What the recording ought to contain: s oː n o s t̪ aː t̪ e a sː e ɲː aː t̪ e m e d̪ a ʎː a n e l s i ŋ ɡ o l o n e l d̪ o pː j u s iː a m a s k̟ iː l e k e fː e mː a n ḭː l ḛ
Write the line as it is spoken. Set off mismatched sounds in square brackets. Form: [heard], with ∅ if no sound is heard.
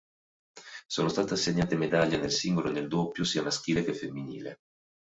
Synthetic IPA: s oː n o s t̪ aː t̪ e a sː e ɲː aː t̪ e m e d̪ a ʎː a n e l s i ŋ ɡ o l o n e l d̪ o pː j [o] s iː a m a s k̟ iː l e k e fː e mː [i] n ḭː l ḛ